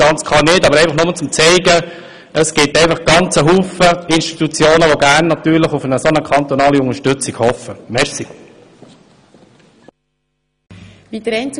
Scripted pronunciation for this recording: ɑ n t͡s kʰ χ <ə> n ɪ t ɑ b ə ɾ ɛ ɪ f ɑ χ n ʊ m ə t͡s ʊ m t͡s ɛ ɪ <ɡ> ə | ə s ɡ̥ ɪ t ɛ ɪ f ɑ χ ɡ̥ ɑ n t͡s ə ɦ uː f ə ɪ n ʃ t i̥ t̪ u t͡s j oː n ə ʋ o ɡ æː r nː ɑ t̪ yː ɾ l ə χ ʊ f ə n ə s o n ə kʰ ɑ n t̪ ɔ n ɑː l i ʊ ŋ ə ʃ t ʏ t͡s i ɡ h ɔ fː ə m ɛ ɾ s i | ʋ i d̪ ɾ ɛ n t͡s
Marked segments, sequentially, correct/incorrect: incorrect, correct

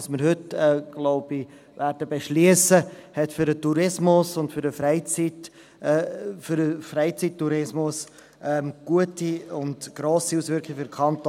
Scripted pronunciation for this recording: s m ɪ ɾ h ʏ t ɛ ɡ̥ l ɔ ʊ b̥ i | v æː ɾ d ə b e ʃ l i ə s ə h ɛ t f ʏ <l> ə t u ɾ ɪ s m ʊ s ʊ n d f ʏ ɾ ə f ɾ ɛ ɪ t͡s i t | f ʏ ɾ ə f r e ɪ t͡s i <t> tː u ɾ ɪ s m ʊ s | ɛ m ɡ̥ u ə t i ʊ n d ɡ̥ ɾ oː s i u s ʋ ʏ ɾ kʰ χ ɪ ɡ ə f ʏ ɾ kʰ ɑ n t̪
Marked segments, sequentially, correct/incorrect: incorrect, correct

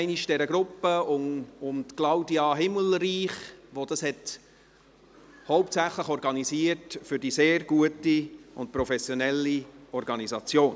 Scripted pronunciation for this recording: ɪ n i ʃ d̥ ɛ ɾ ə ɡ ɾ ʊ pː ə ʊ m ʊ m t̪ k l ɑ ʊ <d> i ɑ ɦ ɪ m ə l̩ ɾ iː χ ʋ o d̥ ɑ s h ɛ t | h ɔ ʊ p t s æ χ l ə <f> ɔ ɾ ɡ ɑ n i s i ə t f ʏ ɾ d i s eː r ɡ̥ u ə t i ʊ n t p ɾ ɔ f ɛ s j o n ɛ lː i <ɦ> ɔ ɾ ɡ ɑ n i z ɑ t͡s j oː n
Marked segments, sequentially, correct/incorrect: correct, incorrect, incorrect

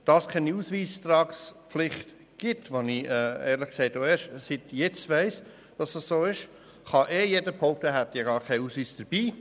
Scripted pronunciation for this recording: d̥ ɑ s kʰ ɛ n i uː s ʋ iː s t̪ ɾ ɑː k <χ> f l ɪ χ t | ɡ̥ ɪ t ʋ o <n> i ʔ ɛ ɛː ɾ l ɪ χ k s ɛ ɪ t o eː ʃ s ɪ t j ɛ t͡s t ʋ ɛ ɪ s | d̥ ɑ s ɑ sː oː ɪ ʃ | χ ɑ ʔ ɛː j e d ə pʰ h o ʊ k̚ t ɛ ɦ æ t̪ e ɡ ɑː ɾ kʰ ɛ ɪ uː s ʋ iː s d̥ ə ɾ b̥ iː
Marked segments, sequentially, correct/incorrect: incorrect, correct

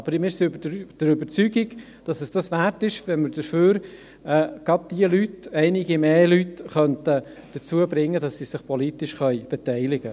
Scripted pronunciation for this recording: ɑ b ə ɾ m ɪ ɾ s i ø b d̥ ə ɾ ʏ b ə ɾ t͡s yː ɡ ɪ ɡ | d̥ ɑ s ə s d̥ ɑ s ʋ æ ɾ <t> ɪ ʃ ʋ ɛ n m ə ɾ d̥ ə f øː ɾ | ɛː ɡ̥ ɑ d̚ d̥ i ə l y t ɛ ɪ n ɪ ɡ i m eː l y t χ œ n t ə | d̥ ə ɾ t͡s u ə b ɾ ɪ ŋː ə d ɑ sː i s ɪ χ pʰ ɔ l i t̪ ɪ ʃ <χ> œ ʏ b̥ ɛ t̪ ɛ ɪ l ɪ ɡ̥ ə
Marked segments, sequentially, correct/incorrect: correct, correct

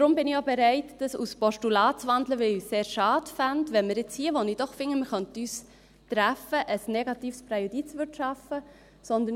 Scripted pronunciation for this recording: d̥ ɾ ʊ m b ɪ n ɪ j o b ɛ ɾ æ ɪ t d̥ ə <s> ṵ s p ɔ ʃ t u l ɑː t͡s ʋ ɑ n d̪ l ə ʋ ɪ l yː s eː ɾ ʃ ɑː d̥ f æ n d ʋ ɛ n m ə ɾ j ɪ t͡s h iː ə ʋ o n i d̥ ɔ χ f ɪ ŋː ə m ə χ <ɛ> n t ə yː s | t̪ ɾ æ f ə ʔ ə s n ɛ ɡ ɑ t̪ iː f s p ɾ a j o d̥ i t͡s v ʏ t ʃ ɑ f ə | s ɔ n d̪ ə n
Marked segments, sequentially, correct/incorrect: correct, incorrect

